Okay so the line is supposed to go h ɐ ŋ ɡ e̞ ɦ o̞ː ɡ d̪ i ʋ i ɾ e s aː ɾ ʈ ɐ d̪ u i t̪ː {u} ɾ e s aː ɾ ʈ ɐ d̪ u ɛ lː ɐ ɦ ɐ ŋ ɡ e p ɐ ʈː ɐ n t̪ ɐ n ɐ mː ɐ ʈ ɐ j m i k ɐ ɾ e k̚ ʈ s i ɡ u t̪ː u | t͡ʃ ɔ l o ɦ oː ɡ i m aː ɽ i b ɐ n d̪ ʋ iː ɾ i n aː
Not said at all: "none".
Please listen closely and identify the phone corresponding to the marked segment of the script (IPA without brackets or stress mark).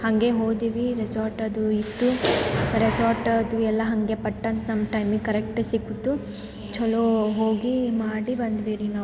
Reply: u